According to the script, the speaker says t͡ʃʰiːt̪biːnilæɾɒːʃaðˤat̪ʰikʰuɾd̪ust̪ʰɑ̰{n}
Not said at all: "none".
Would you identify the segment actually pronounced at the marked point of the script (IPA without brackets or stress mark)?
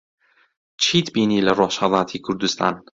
n